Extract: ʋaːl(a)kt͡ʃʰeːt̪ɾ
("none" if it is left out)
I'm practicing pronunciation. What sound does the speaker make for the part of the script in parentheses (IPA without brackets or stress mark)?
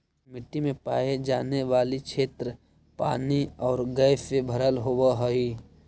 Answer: i